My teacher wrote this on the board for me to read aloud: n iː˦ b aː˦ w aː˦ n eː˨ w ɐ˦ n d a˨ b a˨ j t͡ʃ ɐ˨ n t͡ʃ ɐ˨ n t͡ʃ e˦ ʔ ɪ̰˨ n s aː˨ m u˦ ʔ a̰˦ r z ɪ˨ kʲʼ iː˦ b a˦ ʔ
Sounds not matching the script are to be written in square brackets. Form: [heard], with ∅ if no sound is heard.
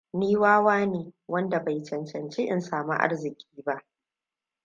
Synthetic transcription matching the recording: n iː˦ [w] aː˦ w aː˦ n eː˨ w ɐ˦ n d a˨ b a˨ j t͡ʃ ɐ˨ n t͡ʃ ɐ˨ n t͡ʃ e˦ ʔ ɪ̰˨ n s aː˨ m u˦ ʔ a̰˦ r z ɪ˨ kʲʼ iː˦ b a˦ ʔ